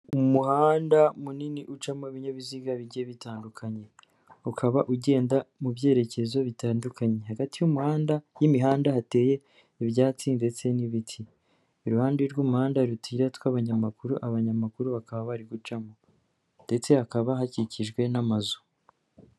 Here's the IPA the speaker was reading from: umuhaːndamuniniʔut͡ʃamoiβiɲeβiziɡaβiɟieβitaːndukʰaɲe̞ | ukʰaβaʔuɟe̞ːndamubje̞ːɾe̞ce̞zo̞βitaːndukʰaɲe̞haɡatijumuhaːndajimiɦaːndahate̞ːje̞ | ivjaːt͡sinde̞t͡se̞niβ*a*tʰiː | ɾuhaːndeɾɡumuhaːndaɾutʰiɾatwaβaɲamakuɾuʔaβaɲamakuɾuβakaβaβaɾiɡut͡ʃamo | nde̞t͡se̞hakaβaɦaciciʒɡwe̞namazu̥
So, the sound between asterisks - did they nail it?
no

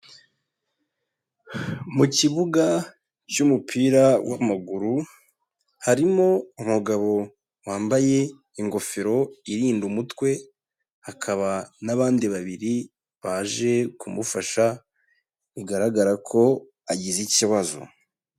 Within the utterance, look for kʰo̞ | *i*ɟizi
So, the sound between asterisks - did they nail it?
no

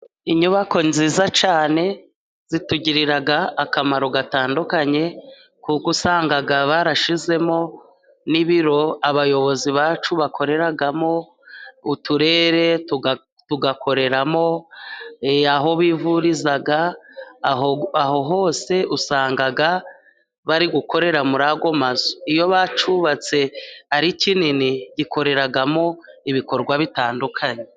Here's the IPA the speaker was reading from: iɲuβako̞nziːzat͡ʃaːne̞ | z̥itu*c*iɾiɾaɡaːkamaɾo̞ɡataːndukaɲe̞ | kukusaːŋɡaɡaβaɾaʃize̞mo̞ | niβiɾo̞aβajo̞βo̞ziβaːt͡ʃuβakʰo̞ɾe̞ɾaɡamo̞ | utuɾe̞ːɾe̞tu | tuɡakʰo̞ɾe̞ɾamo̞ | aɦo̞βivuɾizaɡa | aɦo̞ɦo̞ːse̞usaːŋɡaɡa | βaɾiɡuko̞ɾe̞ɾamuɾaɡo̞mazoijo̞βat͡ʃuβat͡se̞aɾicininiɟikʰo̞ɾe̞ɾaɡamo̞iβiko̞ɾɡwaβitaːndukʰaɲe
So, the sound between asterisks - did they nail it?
no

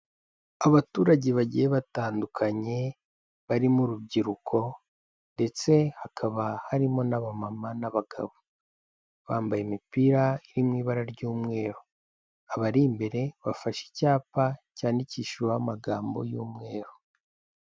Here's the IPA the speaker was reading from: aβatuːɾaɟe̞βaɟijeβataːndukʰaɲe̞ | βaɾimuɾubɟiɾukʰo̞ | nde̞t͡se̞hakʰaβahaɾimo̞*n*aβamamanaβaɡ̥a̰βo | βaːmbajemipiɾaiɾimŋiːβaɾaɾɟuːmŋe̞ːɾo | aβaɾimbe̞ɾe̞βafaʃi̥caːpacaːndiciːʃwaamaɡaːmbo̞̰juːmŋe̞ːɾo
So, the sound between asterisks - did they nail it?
yes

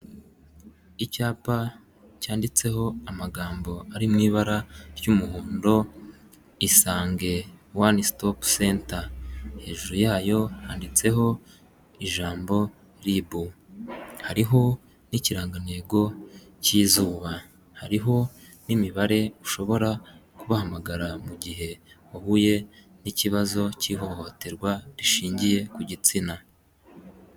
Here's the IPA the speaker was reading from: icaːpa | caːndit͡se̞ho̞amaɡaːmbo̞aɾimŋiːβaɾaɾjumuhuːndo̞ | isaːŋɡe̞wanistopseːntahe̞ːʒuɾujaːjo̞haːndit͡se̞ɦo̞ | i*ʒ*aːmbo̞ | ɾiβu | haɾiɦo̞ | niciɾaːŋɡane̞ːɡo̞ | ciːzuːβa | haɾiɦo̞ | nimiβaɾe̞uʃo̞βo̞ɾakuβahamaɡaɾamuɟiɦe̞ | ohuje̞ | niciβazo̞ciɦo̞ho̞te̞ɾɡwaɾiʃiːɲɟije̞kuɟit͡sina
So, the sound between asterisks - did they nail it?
yes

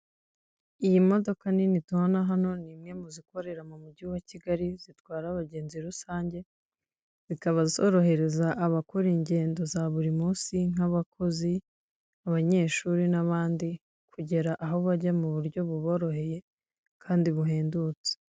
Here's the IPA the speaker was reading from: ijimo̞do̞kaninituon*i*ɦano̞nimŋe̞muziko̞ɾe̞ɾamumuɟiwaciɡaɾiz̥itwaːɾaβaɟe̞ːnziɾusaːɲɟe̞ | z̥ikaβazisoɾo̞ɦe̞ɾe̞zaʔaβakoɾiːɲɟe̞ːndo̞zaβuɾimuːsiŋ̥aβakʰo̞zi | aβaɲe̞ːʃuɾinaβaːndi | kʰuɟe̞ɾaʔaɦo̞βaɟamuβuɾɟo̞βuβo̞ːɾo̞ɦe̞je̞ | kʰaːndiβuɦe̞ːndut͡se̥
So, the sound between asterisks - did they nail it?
no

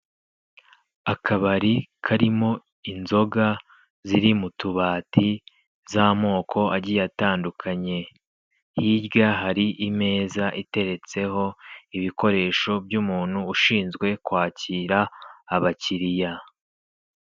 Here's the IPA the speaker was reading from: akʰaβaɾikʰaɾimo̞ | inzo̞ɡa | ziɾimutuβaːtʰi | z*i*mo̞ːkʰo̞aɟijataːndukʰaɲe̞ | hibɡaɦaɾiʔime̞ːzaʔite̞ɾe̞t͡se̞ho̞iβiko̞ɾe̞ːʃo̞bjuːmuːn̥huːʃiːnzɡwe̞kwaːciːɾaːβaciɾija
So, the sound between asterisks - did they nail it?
no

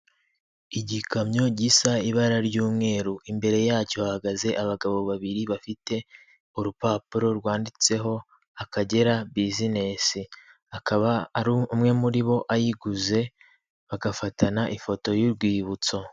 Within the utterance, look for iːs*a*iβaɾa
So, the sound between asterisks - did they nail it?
yes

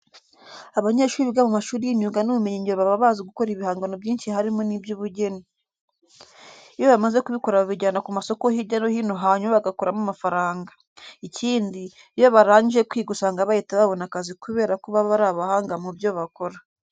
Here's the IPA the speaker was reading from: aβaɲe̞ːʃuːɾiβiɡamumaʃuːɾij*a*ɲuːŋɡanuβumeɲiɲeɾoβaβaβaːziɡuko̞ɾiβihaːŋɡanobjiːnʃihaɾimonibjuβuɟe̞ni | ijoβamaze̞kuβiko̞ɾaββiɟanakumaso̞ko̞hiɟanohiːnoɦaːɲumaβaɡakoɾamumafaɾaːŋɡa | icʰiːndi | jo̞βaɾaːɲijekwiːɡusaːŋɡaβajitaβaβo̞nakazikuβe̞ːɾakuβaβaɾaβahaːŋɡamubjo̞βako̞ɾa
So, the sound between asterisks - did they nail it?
no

